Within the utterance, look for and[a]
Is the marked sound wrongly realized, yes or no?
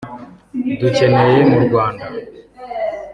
no